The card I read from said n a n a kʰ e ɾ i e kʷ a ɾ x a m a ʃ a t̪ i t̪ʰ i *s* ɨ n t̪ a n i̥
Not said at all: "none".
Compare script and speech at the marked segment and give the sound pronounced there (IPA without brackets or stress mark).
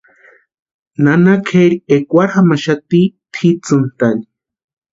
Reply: t͡s